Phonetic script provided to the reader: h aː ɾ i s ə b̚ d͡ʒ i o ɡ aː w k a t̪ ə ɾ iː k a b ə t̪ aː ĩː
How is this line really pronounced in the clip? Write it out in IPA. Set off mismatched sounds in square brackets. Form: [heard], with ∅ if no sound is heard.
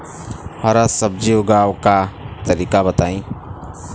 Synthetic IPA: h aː ɾ [a] s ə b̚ d͡ʒ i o ɡ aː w k a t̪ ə ɾ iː k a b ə t̪ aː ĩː